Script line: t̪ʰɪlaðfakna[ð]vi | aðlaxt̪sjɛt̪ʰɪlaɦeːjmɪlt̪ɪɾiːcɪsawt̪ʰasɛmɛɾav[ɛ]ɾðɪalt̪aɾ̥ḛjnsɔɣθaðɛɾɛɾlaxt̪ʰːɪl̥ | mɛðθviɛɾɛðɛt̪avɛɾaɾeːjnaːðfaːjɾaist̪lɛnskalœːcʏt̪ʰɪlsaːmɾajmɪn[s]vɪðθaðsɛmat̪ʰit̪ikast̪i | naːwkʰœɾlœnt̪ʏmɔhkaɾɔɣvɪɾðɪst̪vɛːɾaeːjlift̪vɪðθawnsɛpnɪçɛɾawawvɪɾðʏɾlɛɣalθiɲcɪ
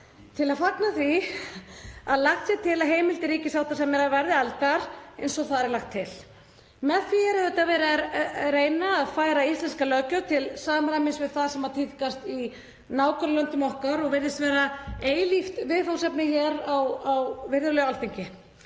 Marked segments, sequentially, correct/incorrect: incorrect, correct, correct

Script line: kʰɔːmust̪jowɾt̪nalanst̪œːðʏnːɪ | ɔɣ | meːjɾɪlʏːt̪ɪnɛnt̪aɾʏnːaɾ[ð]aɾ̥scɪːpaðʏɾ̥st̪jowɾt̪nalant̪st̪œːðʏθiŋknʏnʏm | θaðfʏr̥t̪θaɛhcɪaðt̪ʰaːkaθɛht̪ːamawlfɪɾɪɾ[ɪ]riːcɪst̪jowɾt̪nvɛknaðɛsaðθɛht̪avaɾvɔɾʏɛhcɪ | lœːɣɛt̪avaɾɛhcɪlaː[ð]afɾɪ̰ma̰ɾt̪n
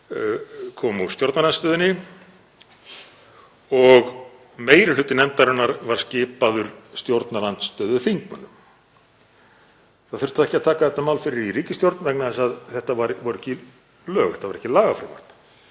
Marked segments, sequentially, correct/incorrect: incorrect, incorrect, incorrect

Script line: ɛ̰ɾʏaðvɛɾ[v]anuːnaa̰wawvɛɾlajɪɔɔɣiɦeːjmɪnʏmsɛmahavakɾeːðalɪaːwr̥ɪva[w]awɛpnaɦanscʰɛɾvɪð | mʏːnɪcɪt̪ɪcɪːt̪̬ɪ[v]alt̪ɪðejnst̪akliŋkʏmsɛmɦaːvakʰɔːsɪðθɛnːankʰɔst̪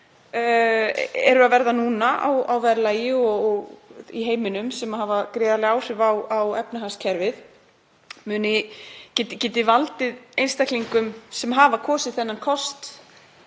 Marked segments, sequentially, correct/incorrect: incorrect, correct, correct

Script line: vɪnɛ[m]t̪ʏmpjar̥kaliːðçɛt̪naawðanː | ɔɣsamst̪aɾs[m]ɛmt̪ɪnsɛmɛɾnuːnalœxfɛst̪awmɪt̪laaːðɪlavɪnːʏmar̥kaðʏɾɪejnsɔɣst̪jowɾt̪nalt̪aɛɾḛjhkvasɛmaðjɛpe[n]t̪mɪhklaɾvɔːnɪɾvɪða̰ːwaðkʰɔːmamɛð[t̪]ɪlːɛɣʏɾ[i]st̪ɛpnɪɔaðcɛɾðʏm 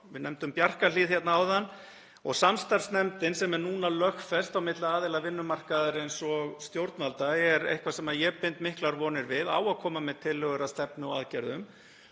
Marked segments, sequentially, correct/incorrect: correct, incorrect, correct, incorrect, incorrect

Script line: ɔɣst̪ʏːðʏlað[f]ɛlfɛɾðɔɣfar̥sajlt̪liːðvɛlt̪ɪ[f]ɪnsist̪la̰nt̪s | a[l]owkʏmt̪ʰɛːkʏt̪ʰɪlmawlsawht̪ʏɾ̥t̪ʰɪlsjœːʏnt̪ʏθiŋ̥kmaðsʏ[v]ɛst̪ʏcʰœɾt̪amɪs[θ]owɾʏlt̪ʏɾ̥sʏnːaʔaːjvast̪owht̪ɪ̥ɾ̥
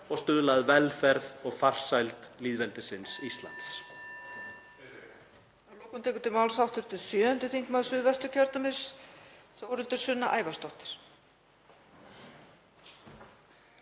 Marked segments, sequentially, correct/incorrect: incorrect, incorrect, correct, correct, correct

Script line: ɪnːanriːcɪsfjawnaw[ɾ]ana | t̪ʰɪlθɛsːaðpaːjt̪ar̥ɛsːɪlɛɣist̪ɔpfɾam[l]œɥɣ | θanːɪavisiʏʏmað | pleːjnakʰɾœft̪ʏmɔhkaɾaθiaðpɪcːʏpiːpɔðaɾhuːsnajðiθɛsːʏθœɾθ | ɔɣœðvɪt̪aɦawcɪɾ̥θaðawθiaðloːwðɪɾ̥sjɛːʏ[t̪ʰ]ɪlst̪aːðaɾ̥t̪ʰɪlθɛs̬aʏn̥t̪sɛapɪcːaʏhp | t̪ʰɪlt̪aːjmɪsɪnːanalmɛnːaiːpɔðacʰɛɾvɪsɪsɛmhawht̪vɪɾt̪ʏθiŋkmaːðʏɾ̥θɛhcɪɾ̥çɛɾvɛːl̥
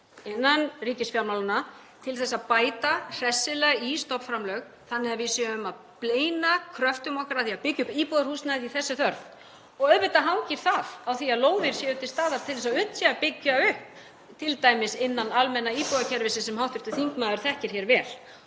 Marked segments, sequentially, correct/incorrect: incorrect, correct, incorrect

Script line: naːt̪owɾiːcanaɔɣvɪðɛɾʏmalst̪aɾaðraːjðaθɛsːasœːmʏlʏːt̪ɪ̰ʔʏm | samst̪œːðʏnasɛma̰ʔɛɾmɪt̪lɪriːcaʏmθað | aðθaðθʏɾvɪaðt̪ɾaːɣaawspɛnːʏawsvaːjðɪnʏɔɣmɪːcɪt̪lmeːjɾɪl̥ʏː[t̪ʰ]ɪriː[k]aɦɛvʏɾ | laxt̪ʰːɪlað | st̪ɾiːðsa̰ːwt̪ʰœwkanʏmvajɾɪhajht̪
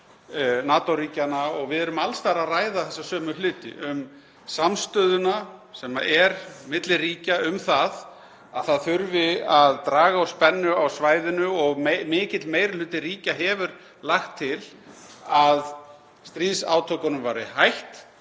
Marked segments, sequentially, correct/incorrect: incorrect, incorrect

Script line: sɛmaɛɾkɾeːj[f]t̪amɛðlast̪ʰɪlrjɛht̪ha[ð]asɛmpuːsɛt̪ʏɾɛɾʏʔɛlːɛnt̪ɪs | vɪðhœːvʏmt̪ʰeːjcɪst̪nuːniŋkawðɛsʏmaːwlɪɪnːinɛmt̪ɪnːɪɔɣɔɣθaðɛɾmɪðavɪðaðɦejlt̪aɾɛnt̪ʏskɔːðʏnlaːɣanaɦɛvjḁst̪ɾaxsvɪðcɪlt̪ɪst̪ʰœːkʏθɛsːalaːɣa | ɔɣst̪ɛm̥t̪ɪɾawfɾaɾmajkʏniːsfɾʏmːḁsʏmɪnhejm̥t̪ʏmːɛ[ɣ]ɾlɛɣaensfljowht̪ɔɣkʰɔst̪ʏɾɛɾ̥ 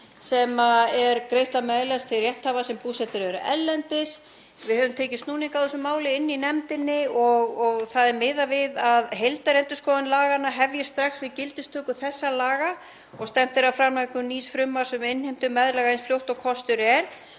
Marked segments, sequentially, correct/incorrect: incorrect, incorrect, incorrect

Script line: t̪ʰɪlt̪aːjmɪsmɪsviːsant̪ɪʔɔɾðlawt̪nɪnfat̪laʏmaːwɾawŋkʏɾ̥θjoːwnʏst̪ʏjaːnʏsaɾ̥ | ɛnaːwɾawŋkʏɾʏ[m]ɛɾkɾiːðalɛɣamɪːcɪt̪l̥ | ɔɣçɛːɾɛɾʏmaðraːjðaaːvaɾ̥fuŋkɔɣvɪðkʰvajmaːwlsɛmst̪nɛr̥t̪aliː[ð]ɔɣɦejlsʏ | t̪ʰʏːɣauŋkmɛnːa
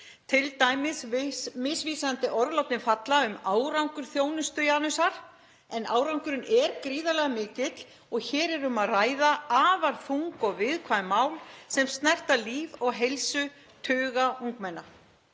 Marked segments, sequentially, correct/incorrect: incorrect, incorrect

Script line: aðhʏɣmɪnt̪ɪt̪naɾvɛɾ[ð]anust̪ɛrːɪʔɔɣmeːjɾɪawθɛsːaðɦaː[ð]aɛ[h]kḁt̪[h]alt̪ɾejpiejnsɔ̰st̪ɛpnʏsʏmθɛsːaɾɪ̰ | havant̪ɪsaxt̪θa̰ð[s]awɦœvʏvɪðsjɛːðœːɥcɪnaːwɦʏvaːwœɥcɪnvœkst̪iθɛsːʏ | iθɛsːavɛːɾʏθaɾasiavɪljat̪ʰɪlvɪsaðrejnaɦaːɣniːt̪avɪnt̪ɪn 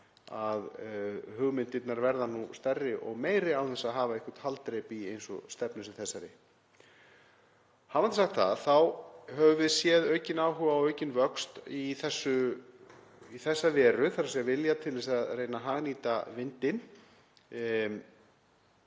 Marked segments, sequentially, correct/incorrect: correct, incorrect, correct, correct, incorrect

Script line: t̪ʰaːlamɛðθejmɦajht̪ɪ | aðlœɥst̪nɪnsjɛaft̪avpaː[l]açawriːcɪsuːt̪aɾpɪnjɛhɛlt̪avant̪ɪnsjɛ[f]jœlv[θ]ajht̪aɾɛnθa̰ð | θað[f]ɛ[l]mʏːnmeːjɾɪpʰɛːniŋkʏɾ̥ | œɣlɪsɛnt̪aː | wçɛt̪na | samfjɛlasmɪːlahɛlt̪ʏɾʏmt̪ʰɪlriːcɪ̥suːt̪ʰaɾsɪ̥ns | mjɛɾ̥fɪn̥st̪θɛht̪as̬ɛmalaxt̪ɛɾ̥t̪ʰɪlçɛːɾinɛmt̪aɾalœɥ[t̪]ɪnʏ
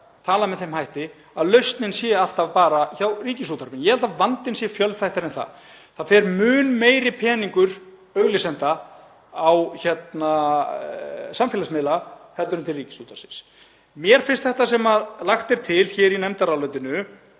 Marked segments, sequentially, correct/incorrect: incorrect, correct, correct, correct, incorrect, correct

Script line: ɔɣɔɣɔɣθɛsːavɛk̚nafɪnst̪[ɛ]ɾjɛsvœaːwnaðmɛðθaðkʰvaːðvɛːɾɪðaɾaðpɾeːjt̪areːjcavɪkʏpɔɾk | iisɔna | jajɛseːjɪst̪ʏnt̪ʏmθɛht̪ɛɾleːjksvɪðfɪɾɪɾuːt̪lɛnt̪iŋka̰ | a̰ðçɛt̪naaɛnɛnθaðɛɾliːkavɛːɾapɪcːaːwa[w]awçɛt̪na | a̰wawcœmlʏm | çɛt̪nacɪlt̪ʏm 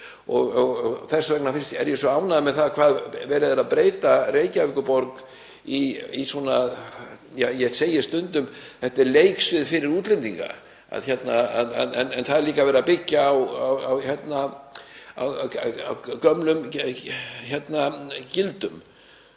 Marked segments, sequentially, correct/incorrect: correct, correct

